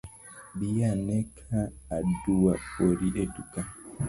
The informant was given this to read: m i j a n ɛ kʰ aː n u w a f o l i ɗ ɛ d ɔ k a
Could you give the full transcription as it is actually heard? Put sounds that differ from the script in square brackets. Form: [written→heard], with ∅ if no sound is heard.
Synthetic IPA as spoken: [m→b] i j a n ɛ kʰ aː [n→d] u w a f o [l→ɾ] i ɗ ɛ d [ɔ→u] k a